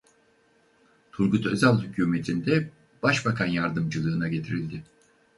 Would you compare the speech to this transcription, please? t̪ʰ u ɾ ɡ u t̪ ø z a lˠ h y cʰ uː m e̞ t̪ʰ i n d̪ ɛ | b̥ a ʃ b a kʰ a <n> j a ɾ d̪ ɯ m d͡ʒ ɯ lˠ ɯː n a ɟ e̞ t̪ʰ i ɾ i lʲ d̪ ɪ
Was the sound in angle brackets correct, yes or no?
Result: yes